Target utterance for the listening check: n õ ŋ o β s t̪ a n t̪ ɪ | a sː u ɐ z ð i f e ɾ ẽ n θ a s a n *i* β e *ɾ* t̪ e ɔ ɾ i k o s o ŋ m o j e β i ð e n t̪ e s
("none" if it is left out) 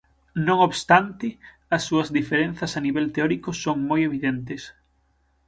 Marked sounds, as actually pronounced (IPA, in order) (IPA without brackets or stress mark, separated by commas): i, l